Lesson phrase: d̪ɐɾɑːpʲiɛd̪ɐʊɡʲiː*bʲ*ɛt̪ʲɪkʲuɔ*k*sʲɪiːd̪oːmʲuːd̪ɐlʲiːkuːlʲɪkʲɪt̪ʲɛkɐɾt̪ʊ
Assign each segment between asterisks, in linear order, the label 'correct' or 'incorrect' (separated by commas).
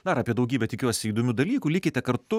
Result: correct, incorrect